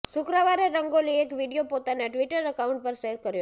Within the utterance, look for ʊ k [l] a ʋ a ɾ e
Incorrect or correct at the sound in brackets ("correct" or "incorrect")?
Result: incorrect